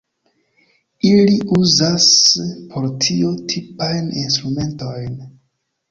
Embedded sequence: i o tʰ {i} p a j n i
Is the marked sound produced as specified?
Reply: yes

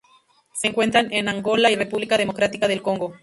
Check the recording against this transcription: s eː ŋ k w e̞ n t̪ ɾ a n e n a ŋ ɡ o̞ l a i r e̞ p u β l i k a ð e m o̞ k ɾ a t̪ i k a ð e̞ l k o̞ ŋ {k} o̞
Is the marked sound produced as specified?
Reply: no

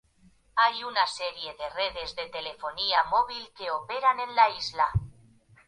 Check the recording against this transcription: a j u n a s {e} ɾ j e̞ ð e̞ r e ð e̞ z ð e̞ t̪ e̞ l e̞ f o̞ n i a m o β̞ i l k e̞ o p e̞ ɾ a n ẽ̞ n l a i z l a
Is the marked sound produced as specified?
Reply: yes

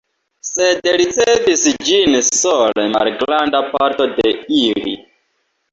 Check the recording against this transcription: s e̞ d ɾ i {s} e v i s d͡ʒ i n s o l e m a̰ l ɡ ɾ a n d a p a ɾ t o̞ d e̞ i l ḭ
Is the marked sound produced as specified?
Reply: no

